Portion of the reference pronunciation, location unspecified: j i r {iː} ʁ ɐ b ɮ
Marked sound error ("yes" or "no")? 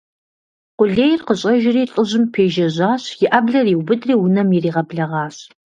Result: no